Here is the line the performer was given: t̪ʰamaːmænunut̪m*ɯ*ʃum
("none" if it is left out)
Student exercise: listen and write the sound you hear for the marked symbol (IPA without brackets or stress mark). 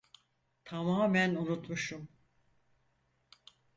u